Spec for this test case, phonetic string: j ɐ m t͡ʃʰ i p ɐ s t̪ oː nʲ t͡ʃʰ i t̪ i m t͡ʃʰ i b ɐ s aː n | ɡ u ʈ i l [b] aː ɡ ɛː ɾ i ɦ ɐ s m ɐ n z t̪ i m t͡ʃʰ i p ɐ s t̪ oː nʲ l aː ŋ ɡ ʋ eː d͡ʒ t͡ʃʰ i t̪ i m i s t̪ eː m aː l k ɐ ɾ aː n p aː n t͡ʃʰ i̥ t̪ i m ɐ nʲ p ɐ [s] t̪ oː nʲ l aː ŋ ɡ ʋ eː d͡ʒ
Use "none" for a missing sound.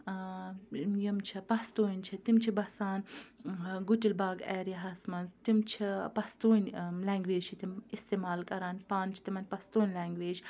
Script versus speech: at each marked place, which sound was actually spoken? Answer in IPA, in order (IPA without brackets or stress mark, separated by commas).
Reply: b, s